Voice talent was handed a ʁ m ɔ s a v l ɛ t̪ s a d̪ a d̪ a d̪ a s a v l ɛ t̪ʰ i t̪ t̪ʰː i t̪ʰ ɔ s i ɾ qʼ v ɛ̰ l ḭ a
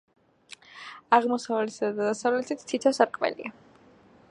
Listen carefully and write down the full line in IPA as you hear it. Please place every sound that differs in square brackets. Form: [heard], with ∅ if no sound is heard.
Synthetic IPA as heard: a ʁ m ɔ s a v l ɛ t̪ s a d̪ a d̪ a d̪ a s a v l ɛ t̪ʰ i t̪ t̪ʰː i t̪ʰ ɔ s [a] ɾ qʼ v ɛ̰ l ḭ a